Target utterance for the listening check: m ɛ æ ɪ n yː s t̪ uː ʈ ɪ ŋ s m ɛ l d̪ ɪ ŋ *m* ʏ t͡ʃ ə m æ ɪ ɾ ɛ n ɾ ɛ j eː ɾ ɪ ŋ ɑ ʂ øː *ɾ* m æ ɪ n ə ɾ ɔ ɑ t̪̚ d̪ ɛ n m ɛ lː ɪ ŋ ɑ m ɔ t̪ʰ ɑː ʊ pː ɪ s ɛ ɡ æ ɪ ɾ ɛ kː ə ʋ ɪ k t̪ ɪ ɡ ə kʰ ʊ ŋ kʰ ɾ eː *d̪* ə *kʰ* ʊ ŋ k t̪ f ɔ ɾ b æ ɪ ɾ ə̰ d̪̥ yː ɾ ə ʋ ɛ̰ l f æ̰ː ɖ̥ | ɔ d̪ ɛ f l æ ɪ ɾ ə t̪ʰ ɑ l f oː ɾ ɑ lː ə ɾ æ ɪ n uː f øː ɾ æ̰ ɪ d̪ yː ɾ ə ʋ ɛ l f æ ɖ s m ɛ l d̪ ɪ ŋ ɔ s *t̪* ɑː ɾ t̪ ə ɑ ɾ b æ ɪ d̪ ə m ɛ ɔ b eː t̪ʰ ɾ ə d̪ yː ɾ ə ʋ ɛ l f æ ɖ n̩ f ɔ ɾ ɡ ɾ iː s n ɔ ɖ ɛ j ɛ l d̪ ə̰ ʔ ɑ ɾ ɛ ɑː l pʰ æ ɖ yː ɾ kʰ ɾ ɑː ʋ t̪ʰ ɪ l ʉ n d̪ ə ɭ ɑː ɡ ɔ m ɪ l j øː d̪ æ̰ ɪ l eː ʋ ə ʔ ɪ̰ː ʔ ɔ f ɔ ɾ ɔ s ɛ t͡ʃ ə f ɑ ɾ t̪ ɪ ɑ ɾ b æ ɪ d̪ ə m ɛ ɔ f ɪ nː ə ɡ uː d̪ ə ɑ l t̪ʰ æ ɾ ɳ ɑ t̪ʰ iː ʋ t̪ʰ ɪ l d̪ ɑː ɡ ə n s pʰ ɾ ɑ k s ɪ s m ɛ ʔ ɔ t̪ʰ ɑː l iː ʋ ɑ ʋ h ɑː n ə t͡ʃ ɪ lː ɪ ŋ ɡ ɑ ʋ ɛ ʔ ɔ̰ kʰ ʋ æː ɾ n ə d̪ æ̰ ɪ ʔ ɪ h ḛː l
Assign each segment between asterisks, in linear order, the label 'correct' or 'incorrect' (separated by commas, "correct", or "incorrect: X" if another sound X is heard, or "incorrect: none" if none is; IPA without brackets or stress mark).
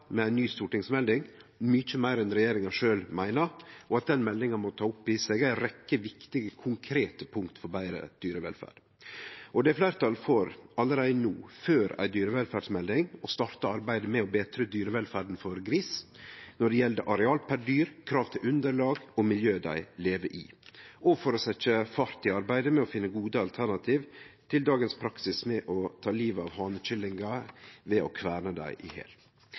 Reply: correct, incorrect: l, incorrect: t̪, incorrect: pʰ, correct